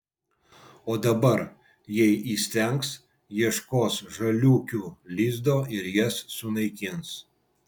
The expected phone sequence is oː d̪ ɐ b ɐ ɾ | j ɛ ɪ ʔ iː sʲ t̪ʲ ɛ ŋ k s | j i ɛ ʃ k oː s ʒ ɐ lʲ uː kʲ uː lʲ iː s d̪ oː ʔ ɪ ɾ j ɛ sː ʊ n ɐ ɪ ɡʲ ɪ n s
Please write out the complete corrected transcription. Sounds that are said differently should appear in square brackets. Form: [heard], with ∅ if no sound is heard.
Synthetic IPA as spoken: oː d̪ ɐ b ɐ ɾ | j ɛ ɪ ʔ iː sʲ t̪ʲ ɛ ŋ k s | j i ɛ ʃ k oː s ʒ ɐ lʲ uː kʲ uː lʲ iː [z] d̪ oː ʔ ɪ ɾ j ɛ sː ʊ n ɐ ɪ [kʲ] ɪ n s